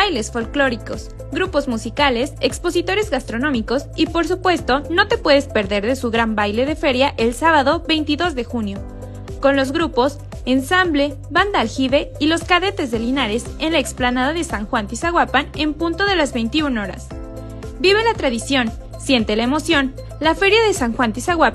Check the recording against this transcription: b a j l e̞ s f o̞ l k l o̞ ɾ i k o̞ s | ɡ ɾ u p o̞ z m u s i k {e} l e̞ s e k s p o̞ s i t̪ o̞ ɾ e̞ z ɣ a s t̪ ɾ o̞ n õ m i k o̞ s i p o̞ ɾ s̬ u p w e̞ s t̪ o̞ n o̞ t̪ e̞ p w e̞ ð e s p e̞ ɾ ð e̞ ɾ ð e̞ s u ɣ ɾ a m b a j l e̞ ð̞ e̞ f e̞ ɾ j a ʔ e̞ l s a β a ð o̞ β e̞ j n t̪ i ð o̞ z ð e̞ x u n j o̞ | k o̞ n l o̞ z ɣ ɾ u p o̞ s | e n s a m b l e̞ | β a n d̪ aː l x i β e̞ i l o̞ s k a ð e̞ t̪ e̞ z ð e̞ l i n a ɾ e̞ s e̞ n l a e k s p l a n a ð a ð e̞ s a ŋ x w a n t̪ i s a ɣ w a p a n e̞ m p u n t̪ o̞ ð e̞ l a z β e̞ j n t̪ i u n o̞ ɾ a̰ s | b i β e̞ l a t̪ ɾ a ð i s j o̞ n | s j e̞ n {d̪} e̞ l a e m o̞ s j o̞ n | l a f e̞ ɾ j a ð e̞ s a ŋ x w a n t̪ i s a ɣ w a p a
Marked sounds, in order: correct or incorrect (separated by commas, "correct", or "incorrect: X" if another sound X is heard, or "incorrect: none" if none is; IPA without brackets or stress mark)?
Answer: incorrect: a, incorrect: t̪